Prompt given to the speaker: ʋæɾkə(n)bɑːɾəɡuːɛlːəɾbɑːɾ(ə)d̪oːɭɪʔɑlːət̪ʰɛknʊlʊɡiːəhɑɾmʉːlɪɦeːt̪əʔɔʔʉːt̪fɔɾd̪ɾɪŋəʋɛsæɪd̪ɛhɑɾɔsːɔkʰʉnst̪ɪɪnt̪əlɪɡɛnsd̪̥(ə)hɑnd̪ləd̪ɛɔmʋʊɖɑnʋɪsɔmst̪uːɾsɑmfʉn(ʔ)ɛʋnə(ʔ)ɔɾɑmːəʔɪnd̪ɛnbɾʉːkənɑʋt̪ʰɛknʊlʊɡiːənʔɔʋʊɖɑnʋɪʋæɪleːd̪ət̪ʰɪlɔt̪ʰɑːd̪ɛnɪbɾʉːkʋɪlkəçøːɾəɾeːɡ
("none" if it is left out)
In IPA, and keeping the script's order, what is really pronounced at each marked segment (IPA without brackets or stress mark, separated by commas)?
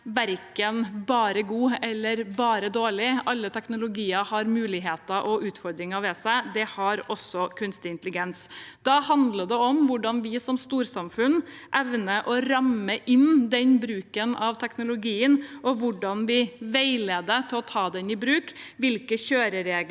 n, ə, ɑ, ʔ, ʔ